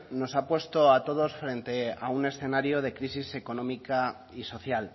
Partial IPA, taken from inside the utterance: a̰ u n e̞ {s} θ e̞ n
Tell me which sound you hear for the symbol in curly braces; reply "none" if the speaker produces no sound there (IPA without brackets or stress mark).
s